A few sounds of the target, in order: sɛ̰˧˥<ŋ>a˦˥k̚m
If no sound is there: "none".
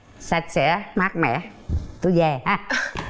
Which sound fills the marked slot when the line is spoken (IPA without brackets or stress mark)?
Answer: m